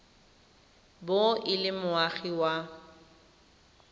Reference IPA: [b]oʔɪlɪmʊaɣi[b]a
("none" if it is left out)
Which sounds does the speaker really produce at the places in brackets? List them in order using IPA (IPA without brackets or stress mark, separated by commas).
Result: b, w